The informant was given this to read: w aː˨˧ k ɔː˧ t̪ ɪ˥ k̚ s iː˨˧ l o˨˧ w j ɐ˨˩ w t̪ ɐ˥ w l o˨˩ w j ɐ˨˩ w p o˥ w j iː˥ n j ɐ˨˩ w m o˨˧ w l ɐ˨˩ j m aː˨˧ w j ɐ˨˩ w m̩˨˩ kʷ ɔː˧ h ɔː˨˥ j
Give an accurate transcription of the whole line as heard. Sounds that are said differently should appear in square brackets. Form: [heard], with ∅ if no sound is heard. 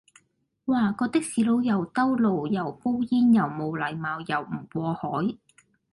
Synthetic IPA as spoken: w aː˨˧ k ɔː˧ t̪ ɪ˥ k̚ s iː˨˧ l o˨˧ w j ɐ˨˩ w t̪ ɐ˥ w l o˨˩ w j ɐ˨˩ w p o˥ w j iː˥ n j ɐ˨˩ w m o˨˧ w l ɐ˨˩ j m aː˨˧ w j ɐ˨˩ w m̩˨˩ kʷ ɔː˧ h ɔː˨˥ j